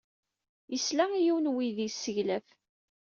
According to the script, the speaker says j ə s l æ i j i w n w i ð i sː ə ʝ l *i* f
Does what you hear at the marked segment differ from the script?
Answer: yes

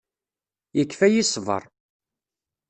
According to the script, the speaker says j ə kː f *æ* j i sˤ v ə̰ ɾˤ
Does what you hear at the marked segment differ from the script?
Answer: no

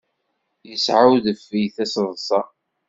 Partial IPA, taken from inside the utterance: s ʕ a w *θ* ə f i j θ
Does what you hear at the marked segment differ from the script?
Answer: yes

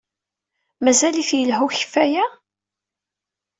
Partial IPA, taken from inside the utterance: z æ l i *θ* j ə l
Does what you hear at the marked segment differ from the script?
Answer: no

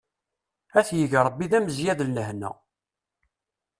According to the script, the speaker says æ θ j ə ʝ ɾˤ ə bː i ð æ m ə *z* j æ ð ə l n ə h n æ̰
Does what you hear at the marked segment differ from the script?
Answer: no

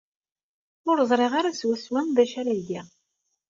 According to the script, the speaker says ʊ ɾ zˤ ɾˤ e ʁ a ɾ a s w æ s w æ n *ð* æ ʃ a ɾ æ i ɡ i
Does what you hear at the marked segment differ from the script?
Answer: no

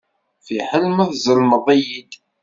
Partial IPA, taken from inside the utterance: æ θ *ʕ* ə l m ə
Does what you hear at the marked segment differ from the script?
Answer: yes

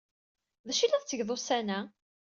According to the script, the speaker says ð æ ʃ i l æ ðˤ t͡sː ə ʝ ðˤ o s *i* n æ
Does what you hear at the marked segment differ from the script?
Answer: yes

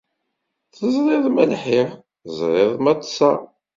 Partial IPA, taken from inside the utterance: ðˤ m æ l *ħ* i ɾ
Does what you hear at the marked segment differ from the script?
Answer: no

